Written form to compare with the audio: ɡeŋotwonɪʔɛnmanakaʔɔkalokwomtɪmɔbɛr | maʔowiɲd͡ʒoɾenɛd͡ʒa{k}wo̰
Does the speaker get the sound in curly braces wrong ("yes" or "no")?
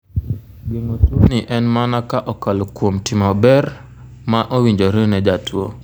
yes